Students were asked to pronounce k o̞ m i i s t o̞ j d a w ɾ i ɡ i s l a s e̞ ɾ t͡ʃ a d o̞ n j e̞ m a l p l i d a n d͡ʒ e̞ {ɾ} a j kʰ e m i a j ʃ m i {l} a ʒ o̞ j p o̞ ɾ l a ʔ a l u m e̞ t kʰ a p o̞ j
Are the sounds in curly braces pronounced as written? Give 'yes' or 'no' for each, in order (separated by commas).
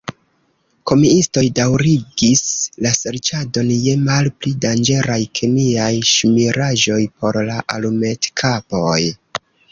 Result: yes, no